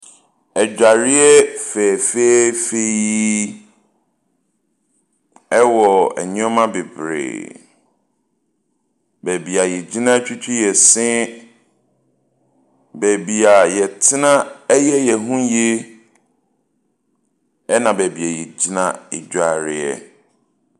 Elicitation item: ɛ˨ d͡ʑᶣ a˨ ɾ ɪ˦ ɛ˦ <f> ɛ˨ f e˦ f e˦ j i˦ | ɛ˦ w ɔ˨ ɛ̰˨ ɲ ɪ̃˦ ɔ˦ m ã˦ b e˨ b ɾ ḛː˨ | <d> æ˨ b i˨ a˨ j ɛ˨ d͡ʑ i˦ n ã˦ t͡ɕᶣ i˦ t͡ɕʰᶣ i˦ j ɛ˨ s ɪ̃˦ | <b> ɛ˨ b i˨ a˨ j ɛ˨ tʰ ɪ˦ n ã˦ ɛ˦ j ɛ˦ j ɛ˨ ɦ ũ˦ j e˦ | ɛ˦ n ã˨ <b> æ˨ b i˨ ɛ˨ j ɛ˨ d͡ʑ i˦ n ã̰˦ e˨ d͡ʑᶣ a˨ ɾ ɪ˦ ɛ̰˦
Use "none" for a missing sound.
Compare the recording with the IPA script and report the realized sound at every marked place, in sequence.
f, b, b, b

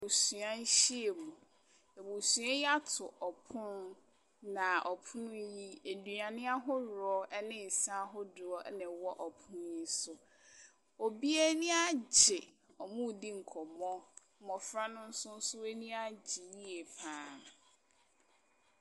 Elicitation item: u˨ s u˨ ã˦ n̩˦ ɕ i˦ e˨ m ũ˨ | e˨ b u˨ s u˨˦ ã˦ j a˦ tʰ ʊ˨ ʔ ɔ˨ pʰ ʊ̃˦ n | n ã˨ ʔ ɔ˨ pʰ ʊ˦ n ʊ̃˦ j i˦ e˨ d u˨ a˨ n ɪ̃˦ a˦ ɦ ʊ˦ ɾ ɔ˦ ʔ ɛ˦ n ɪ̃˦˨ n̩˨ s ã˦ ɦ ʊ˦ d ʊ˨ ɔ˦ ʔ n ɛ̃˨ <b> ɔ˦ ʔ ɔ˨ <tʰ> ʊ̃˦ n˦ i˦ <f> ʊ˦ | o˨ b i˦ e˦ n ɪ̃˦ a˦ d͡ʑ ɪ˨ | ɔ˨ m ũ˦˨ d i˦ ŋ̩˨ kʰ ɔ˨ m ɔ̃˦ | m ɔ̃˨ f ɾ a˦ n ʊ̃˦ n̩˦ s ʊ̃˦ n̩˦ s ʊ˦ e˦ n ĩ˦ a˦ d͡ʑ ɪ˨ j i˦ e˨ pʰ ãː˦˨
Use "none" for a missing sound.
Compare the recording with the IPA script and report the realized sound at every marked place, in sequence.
w, pʰ, s

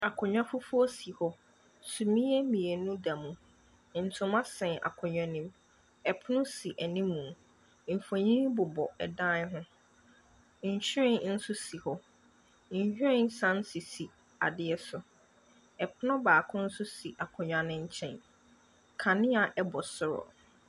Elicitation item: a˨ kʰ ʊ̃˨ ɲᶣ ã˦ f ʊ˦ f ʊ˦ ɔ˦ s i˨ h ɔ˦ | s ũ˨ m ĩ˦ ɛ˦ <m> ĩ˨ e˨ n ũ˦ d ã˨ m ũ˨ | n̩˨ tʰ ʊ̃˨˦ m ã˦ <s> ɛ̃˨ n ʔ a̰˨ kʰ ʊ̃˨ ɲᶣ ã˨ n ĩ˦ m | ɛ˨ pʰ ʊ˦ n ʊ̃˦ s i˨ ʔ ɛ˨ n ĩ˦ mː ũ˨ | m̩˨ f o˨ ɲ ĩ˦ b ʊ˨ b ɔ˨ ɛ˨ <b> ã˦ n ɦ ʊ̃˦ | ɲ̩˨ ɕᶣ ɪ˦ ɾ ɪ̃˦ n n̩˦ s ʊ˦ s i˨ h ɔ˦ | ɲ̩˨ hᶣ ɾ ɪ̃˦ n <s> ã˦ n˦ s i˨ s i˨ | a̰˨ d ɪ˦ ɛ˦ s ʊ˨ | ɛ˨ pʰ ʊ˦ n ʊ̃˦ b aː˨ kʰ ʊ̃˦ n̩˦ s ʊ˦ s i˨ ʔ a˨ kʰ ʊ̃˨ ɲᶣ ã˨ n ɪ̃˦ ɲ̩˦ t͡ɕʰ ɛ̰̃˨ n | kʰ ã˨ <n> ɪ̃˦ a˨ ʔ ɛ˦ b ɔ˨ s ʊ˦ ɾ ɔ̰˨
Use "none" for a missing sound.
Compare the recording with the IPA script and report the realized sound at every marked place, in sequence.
m, s, d, s, n

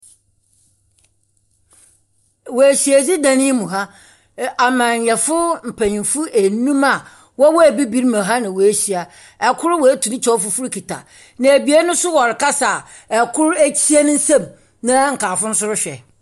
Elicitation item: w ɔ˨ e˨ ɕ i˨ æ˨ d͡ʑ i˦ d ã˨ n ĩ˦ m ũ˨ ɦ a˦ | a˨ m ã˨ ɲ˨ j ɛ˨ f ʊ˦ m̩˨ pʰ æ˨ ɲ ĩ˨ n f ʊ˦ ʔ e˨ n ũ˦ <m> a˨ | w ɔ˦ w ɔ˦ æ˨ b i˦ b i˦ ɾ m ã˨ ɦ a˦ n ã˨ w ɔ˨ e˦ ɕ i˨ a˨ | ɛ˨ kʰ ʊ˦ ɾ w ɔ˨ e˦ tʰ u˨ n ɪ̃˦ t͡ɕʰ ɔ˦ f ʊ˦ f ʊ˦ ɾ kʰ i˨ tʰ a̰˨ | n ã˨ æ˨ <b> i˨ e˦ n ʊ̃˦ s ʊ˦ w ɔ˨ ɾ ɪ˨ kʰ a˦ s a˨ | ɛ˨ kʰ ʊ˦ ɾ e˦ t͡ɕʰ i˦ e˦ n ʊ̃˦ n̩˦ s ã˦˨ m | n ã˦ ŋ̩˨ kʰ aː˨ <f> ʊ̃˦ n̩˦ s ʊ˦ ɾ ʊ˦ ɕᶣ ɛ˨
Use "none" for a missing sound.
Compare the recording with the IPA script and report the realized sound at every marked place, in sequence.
m, b, f

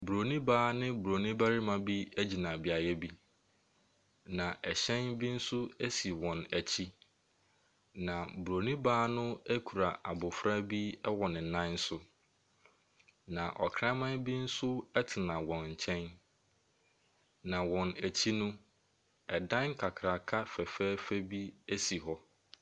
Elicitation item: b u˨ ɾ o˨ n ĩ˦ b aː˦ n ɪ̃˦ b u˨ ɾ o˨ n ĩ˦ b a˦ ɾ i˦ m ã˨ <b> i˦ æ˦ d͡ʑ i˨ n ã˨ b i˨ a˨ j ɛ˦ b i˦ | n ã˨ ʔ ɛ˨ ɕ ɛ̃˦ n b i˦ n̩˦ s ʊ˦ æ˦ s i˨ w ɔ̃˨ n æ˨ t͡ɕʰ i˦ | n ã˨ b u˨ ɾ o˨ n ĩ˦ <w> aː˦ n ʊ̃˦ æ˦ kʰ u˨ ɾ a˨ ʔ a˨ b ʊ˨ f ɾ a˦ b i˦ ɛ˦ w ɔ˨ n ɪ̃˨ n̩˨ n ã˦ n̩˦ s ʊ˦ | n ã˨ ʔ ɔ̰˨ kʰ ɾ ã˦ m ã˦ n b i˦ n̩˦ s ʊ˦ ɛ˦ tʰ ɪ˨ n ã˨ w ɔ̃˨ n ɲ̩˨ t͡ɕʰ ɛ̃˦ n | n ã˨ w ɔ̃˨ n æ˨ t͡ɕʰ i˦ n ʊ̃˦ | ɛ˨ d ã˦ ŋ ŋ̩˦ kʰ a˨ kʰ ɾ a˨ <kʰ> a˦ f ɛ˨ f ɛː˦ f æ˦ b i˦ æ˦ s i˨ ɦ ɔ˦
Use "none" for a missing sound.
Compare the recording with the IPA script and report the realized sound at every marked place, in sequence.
b, b, kʰ

